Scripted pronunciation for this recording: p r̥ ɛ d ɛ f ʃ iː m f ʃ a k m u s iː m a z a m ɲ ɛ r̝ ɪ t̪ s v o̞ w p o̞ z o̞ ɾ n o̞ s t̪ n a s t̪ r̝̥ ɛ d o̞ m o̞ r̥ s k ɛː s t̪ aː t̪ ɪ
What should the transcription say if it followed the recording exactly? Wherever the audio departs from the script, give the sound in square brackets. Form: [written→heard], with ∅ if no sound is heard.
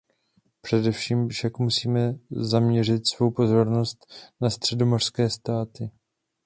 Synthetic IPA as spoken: p r̥ ɛ d ɛ f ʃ iː m f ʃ a k m u s iː m [a→ɛ] z a m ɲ ɛ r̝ ɪ t̪ s v o̞ w p o̞ z o̞ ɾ n o̞ s t̪ n a s t̪ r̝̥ ɛ d o̞ m o̞ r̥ s k ɛː s t̪ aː t̪ ɪ